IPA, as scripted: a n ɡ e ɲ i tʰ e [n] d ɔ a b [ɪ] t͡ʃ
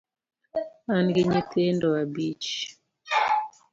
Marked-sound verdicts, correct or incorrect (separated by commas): correct, incorrect